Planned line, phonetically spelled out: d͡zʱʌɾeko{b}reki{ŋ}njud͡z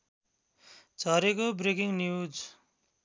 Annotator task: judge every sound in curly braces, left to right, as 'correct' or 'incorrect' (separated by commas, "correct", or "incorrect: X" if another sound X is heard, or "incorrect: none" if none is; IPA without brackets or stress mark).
correct, correct